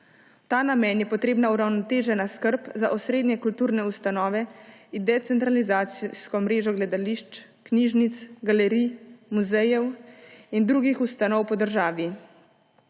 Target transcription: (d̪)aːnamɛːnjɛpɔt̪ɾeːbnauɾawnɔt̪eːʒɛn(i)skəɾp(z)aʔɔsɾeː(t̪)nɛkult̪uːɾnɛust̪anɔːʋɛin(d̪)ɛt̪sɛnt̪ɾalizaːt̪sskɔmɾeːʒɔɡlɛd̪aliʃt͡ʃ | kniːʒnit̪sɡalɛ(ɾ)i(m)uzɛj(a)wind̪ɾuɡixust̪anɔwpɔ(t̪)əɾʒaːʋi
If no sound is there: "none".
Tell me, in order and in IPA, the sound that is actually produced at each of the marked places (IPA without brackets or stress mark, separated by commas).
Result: t̪, a, z, d̪, d̪, ɾ, m, ɛ, d̪